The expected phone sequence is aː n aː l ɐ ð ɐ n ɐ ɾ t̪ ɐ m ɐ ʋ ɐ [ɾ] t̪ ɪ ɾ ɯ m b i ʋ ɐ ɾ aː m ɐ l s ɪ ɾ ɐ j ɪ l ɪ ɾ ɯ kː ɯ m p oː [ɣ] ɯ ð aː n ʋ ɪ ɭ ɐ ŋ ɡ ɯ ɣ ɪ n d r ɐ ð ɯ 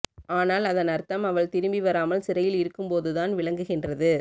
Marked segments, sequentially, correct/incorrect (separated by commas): incorrect, incorrect